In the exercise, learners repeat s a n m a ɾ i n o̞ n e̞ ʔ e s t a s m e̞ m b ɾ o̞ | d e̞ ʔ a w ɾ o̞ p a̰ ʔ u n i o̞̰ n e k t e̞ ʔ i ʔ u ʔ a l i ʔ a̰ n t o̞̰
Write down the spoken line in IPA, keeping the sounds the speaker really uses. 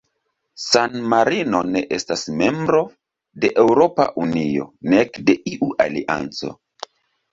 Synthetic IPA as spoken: s a n m a ɾ i n o̞ n e̞ ʔ e s t a s m e̞ m b ɾ o̞ | d e̞ ʔ e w ɾ o̞ p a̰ ʔ u n i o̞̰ n e k d e̞ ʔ i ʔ u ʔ a l i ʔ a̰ n t͡s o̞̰